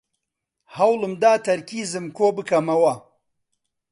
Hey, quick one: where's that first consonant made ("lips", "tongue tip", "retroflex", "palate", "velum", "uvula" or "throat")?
throat